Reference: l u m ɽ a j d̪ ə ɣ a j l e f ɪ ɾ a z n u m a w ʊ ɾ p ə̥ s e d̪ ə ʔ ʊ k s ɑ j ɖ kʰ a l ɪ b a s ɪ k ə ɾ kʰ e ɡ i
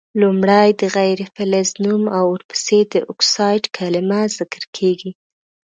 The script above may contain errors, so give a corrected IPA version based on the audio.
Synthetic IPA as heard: l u m ɽ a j d̪ ə ɣ a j ɾ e f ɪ l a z n u m a w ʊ ɾ p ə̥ s e d̪ ə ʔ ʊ k s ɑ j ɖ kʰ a l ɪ m a z ɪ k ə ɾ kʰ e ɡ i